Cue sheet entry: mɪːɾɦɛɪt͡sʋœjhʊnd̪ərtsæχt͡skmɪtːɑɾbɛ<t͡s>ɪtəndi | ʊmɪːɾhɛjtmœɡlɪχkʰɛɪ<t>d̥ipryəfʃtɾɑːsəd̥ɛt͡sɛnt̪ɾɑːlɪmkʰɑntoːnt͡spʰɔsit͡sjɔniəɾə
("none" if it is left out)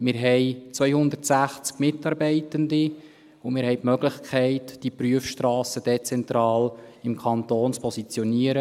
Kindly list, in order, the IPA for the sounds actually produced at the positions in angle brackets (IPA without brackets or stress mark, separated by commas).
none, t